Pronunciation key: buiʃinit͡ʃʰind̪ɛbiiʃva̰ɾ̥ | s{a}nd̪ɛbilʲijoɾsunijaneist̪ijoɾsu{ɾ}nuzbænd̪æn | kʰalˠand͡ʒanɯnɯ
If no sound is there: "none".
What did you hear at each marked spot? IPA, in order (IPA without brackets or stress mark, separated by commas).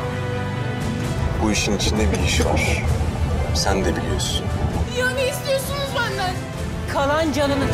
æ, none